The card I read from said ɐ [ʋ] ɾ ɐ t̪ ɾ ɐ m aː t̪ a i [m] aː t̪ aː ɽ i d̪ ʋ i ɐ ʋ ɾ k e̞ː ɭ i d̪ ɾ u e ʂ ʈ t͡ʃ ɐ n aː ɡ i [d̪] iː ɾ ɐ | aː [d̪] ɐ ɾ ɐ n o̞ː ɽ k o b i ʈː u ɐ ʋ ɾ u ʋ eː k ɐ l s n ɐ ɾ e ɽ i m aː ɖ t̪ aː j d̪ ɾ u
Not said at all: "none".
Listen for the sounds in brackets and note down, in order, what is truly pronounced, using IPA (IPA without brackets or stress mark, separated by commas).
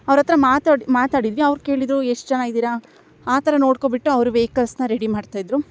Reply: ʋ, m, d̪, t̪